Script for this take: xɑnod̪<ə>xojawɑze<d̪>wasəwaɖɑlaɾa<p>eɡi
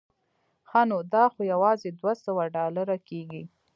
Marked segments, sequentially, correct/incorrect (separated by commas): incorrect, correct, incorrect